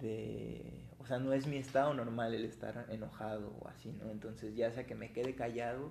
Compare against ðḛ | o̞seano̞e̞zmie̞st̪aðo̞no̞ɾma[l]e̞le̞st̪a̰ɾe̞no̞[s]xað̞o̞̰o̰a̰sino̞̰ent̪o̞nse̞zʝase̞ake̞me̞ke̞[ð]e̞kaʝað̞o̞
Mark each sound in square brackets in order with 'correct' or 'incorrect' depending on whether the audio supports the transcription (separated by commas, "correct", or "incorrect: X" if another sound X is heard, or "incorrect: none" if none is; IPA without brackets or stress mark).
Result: correct, incorrect: none, correct